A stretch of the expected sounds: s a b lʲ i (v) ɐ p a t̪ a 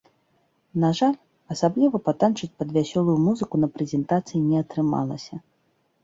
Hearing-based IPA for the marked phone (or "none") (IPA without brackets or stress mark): v